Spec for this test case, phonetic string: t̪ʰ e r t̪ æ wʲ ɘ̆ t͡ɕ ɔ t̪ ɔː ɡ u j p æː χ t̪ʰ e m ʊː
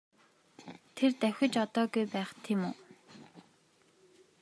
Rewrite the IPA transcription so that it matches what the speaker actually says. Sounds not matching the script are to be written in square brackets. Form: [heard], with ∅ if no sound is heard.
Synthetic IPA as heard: t̪ʰ e r t̪ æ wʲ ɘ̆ t͡ɕ ɔ t̪ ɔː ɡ u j p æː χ t̪ʰ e m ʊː